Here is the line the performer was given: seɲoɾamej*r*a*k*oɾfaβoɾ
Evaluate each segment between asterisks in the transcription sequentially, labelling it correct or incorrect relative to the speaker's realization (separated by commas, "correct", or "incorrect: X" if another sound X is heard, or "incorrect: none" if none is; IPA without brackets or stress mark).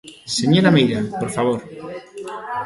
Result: incorrect: ɾ, incorrect: p